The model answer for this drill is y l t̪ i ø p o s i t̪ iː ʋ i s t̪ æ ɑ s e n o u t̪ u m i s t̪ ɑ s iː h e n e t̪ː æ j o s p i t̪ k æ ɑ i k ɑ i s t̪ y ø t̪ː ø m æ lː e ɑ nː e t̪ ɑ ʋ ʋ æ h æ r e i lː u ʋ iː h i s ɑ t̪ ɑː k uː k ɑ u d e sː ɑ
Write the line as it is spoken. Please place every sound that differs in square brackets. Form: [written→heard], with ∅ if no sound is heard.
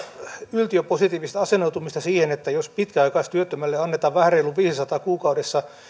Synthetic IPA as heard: y l t̪ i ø p o s i t̪ iː ʋ i s t̪ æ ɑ s e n o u t̪ u m i s t̪ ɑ s iː h e n e t̪ː æ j o s p i t̪ k æ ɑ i k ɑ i s t̪ y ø t̪ː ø m æ lː e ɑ nː e t̪ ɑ ʋ ʋ æ h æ r e i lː u ʋ iː [h→s] i s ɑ t̪ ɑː k uː k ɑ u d e sː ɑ